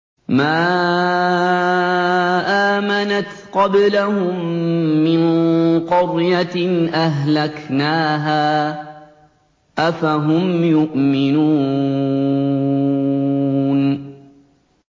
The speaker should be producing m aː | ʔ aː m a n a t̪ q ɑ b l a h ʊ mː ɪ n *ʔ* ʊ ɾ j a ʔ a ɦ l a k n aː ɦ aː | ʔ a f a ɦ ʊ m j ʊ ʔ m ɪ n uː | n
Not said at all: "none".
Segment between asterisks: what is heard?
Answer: q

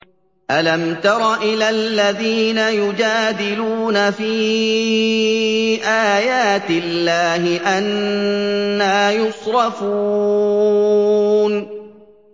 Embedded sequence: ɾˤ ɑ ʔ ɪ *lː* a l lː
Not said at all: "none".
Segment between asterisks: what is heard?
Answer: l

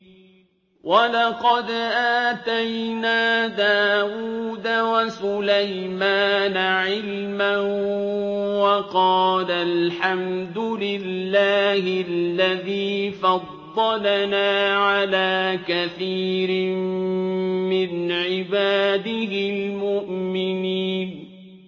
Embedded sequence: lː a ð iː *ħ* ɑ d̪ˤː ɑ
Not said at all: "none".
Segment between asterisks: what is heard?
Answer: f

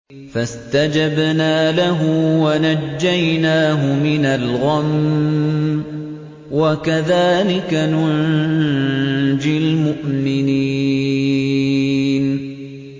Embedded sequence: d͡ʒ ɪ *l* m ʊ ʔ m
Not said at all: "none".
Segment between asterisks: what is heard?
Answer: l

